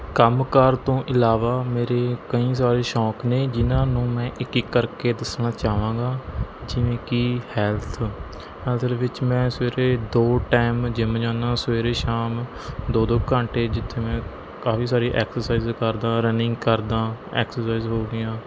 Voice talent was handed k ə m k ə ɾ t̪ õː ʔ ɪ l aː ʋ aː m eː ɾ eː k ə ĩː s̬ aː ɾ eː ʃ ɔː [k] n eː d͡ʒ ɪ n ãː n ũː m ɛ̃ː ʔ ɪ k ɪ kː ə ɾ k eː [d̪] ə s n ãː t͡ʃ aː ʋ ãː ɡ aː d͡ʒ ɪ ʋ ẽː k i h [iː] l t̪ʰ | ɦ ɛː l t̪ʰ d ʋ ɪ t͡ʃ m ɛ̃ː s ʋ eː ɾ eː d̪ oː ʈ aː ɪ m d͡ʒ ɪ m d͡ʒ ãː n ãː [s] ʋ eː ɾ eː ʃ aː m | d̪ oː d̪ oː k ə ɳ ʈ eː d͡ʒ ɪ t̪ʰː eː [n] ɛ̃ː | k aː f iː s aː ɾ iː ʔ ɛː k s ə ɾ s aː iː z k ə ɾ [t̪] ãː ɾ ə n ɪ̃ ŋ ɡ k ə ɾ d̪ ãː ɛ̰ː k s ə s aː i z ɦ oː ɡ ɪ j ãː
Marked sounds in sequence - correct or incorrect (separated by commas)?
correct, correct, incorrect, correct, incorrect, incorrect